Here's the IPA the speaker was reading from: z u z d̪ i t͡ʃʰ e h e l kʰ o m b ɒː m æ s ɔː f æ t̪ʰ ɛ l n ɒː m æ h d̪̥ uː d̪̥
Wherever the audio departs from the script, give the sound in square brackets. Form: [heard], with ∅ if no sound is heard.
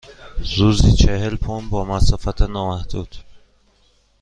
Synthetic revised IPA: z u z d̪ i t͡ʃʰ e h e l [pʰ] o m b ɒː m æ s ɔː f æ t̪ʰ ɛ [∅] n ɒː m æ h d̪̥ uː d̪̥